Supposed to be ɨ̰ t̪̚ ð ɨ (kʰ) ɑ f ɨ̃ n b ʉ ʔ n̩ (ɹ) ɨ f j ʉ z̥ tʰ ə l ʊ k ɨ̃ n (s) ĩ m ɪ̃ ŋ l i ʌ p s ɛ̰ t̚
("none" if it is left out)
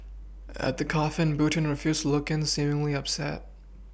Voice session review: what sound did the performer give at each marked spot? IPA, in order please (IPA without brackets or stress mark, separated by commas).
kʰ, ɹ, s